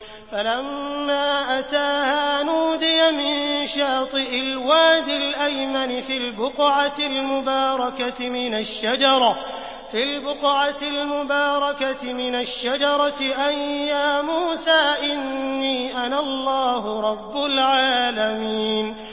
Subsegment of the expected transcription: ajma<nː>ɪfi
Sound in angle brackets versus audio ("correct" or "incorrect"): incorrect